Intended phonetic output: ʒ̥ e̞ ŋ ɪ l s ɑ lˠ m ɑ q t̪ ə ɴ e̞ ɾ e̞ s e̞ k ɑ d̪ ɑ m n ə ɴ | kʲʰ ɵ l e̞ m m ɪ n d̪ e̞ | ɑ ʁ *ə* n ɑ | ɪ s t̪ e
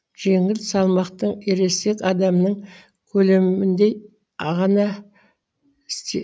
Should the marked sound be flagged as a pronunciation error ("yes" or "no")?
yes